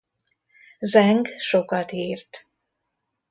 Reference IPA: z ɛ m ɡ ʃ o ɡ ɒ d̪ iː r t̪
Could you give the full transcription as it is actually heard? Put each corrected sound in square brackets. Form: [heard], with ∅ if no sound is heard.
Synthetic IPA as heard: z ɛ [ŋ] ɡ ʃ o [k] ɒ [t̪] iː r t̪

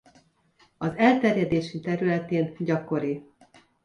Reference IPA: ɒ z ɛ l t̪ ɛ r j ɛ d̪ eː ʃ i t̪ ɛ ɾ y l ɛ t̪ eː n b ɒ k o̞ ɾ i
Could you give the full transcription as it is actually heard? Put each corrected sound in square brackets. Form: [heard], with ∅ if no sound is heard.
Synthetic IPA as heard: ɒ z ɛ l t̪ ɛ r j ɛ d̪ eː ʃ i t̪ ɛ ɾ y l ɛ t̪ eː n [ɟ] ɒ k o̞ ɾ i

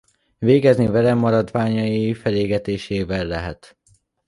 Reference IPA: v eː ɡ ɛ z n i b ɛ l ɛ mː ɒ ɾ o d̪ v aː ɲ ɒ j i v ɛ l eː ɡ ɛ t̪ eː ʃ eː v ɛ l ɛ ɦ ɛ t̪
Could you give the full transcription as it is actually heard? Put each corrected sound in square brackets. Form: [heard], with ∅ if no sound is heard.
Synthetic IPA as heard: v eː ɡ ɛ z n i [v] ɛ l ɛ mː ɒ ɾ [ɒ] d̪ v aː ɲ ɒ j i [f] ɛ l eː ɡ ɛ t̪ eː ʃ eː v ɛ [lː] ɛ ɦ ɛ t̪

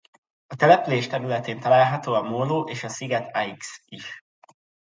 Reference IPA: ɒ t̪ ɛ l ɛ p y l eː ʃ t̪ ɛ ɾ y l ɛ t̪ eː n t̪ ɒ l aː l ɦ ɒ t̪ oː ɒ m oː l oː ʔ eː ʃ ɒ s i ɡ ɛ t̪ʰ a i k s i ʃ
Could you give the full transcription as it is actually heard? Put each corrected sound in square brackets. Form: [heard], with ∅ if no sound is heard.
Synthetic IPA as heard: ɒ t̪ ɛ l ɛ p y l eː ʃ t̪ ɛ ɾ y l ɛ t̪ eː n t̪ ɒ l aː l ɦ ɒ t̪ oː ɒ m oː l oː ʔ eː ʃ ɒ s i ɡ ɛ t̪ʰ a i k s i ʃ

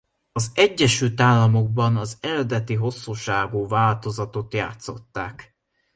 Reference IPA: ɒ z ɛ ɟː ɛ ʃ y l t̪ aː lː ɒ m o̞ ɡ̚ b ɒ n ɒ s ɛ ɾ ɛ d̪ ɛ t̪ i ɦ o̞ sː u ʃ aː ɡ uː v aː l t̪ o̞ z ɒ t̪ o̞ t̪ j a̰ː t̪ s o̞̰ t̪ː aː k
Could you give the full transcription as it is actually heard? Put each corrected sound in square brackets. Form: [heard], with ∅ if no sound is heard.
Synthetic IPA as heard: ɒ z ɛ ɟː ɛ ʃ y l t̪ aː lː ɒ m o̞ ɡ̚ b ɒ n ɒ [z] ɛ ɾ ɛ d̪ ɛ t̪ i ɦ o̞ sː u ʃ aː ɡ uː v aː l t̪ o̞ z ɒ t̪ o̞ t̪ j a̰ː t̪ s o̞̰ t̪ː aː k

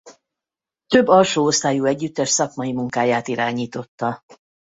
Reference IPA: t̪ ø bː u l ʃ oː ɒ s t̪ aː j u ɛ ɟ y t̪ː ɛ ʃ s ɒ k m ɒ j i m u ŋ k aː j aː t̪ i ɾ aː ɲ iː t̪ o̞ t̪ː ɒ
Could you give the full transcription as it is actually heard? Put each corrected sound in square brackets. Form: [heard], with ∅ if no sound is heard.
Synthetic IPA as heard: t̪ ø bː [ɒ] l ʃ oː [o] s t̪ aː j u ɛ [ɟː] y t̪ː ɛ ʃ s ɒ k m ɒ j i m u ŋ k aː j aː t̪ i ɾ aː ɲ iː t̪ o̞ t̪ː ɒ

